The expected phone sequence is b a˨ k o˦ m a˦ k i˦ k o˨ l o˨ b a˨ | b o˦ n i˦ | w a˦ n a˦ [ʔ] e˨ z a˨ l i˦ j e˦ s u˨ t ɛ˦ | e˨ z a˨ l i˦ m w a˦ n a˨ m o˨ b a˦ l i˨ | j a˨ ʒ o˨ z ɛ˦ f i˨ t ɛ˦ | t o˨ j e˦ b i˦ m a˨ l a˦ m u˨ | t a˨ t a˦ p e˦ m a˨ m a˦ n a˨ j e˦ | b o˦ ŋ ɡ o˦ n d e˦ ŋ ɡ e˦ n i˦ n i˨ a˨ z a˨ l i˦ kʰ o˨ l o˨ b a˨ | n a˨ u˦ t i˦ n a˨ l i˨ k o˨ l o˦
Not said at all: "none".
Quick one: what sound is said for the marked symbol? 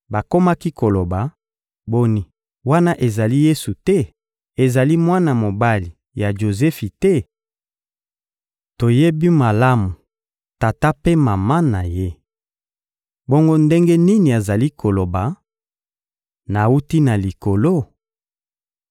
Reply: ʔ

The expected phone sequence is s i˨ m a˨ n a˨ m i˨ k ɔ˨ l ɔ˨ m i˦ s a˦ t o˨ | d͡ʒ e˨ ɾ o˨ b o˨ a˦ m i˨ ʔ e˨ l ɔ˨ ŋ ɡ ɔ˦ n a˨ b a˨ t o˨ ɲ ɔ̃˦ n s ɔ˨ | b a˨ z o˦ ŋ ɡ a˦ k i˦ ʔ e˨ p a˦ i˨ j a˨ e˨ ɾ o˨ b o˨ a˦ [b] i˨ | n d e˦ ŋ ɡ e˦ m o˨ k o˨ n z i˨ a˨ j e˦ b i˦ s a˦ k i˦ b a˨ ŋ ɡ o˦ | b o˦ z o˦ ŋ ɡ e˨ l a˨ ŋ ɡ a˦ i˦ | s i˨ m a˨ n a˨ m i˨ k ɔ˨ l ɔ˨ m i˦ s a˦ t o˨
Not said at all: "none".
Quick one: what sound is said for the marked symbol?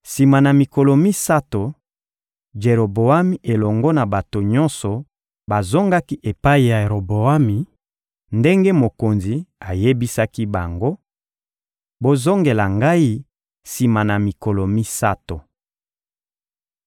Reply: m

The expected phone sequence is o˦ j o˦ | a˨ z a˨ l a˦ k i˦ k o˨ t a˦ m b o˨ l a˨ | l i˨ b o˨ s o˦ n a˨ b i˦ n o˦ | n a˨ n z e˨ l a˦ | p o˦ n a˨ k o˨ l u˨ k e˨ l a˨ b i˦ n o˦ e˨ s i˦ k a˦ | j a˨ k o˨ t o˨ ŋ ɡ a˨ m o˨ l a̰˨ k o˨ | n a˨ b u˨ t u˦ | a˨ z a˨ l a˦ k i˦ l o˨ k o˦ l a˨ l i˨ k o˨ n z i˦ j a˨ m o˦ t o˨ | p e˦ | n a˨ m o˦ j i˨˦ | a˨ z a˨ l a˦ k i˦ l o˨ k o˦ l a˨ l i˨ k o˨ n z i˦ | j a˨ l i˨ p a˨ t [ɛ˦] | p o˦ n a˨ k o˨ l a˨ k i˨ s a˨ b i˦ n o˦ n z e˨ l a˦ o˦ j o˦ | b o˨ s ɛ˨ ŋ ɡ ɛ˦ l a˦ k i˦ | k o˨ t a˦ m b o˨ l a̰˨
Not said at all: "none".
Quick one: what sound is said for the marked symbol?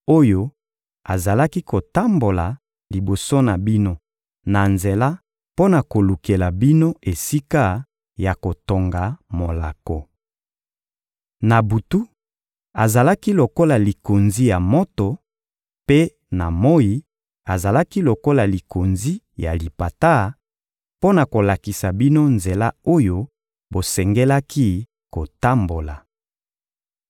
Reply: a˦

